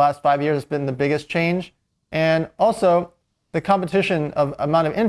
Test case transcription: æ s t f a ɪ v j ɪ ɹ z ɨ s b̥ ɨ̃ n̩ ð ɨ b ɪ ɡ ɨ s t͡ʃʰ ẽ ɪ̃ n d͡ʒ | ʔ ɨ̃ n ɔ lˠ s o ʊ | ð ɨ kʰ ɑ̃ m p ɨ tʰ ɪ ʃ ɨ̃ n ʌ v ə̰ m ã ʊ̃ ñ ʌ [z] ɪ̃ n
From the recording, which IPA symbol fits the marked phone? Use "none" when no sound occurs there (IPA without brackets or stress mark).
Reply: v